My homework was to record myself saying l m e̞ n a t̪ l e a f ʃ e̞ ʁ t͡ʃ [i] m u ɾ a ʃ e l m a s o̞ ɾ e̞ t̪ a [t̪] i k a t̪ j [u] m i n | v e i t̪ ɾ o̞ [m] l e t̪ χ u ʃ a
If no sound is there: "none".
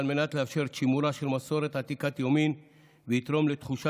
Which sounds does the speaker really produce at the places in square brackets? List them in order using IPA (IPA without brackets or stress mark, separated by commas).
i, t̪, o, m